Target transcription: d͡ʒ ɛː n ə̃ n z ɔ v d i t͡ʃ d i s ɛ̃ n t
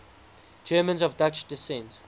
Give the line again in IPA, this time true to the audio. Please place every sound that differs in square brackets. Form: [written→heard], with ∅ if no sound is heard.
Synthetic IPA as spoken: d͡ʒ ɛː [n→m] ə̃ n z ɔ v d [i→a] t͡ʃ d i s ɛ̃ n t